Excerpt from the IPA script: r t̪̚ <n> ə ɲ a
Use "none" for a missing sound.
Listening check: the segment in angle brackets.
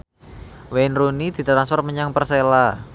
m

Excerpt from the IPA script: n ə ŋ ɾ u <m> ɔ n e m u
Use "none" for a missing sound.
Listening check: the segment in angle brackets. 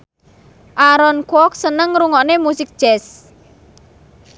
ŋ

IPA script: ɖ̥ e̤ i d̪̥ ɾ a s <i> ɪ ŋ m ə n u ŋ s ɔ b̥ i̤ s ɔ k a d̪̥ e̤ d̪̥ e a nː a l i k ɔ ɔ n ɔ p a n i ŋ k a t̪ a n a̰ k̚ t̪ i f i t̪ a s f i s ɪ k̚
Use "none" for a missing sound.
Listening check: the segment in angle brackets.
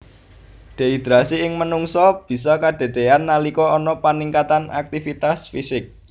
i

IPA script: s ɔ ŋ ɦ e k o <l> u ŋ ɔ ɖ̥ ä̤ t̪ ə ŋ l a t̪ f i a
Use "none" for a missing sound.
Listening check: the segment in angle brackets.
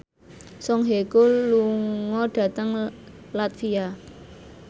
l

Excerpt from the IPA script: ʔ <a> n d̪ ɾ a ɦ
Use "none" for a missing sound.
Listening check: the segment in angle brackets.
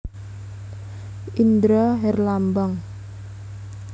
i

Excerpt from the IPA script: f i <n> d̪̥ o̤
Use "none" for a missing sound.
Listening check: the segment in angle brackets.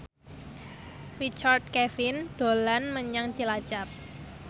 n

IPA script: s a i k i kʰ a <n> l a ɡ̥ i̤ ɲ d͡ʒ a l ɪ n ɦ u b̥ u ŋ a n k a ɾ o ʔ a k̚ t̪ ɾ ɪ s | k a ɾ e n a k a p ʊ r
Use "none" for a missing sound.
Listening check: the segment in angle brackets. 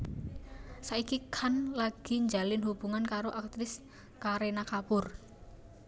n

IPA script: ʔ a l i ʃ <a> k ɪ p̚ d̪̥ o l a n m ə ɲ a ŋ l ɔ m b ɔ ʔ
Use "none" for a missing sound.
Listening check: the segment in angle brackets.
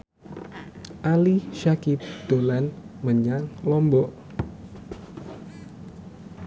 a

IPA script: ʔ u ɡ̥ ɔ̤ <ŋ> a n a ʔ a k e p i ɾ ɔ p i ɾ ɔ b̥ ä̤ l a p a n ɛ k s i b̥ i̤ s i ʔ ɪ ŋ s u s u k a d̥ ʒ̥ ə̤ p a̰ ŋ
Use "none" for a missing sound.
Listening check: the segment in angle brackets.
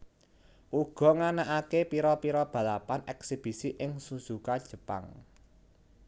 ŋ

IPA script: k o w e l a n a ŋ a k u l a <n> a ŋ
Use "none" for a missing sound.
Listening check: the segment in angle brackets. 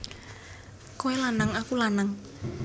n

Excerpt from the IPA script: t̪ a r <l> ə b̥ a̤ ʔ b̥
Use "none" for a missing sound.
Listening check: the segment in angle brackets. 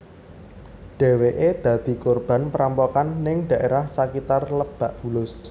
l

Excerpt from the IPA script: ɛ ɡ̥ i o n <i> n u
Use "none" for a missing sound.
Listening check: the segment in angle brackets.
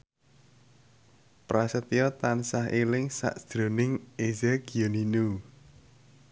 i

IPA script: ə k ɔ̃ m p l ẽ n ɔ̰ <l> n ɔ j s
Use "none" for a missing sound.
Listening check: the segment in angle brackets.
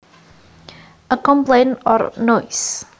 ɾ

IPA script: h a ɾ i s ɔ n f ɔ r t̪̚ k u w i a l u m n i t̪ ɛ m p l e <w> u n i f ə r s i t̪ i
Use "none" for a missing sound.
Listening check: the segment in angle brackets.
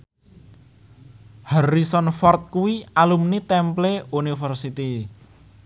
none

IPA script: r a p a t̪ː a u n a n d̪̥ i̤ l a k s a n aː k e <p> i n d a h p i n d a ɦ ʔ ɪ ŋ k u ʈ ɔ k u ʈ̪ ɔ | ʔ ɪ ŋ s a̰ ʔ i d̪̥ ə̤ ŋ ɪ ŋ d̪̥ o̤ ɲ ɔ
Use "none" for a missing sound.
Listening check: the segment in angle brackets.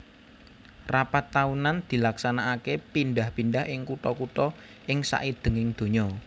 p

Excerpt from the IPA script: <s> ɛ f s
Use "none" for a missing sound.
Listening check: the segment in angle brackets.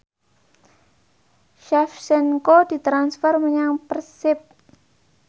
ʃ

